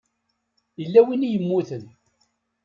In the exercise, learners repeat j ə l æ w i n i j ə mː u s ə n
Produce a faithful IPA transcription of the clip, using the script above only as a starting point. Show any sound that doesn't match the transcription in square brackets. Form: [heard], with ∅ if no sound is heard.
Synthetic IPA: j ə [lː] æ w i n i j ə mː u [θ] ə n